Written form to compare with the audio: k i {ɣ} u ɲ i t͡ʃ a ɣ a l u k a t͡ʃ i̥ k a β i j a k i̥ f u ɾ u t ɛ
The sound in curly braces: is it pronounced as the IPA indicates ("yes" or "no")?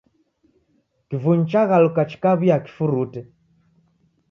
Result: no